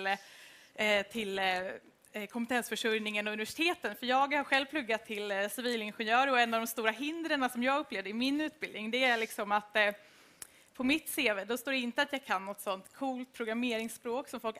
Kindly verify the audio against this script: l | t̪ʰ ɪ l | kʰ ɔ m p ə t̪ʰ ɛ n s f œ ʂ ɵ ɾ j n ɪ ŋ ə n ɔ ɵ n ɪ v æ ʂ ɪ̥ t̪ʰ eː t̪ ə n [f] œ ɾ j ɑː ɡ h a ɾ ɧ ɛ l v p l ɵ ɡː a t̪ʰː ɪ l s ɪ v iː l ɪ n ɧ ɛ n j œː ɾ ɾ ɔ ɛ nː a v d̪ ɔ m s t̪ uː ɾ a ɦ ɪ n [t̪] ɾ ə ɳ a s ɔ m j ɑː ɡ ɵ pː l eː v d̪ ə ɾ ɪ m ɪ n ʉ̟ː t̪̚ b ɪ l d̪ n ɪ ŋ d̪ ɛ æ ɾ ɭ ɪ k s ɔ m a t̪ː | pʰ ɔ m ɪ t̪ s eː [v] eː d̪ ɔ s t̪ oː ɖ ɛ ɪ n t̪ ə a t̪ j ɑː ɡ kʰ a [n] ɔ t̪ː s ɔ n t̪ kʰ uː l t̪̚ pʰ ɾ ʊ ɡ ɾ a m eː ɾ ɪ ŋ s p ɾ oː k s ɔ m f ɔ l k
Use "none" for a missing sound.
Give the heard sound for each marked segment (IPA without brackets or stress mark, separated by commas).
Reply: f, d̪, v, nː